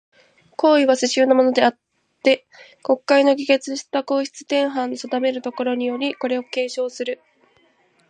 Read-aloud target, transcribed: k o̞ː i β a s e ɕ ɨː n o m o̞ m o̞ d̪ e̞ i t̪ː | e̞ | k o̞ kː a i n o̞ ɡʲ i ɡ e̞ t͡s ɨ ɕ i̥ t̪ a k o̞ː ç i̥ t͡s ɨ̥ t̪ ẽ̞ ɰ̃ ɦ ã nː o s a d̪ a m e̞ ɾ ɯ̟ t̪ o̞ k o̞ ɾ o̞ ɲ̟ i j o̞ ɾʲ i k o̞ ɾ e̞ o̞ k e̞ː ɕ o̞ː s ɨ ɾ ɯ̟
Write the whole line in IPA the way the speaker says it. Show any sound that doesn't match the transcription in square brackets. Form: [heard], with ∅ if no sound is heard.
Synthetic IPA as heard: k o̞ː i β a s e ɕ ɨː n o m o̞ [n] o̞ d̪ e̞ [a] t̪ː | e̞ | k o̞ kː a i n o̞ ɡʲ i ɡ e̞ t͡s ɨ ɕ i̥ t̪ a k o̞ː ç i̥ t͡s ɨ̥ t̪ ẽ̞ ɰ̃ ɦ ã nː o s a d̪ a m e̞ ɾ ɯ̟ t̪ o̞ k o̞ ɾ o̞ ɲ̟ i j o̞ ɾʲ i k o̞ ɾ e̞ o̞ k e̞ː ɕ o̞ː s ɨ ɾ ɯ̟